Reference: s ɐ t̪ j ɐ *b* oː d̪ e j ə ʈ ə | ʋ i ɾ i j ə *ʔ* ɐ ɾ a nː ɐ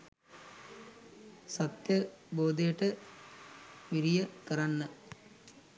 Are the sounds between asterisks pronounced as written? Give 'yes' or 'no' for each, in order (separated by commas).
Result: yes, no